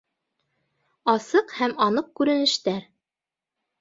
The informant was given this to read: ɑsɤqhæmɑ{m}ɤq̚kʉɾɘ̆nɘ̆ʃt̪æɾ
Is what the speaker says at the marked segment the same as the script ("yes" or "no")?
no